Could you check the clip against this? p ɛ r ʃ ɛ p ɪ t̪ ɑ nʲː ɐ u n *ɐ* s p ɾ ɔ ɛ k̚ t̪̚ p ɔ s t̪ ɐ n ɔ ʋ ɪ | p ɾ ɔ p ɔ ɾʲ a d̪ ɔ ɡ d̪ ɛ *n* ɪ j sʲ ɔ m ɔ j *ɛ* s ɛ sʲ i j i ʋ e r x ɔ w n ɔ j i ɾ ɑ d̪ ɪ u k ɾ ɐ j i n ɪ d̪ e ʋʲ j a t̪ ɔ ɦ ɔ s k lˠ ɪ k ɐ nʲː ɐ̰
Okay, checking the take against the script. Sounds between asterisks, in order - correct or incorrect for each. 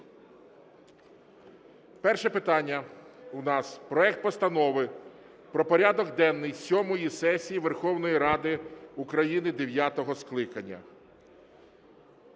incorrect, incorrect, incorrect

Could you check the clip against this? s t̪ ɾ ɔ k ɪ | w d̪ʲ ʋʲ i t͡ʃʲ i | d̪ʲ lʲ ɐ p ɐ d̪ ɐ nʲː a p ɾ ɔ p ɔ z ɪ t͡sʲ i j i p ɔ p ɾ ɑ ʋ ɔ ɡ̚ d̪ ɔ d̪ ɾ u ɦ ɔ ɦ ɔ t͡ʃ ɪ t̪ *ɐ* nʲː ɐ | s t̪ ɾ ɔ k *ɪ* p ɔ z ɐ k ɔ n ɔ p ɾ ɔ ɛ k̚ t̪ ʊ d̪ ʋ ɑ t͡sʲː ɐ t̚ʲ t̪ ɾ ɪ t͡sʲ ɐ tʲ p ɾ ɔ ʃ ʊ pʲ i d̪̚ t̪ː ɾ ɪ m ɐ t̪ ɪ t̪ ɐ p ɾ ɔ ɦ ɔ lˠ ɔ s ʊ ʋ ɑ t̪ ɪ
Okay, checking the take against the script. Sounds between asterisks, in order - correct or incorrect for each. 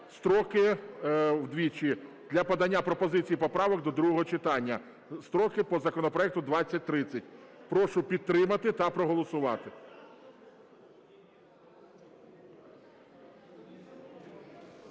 incorrect, correct

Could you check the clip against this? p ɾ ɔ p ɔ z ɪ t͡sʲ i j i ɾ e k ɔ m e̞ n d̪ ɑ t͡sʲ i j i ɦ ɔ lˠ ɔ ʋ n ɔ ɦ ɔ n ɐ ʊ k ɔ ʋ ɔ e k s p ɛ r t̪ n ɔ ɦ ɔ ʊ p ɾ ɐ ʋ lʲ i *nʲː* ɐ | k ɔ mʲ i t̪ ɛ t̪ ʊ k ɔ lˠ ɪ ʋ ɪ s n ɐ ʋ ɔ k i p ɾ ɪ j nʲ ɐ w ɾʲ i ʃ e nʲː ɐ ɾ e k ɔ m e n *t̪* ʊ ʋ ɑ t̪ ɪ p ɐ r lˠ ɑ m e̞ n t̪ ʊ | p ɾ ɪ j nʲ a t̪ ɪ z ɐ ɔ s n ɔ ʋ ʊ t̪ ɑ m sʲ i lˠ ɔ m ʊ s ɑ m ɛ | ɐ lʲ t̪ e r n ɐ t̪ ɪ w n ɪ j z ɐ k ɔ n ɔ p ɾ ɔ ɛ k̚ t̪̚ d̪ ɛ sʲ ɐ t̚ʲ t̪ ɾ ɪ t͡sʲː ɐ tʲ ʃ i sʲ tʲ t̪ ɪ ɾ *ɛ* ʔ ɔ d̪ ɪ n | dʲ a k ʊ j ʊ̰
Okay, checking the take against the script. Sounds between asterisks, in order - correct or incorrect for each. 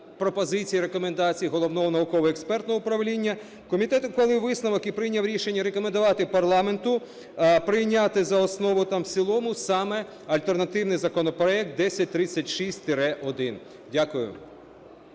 correct, incorrect, correct

